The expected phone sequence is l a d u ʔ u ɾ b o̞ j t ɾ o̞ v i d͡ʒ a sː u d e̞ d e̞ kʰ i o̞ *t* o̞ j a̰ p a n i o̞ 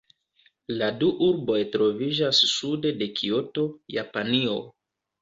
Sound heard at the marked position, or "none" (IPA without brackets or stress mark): t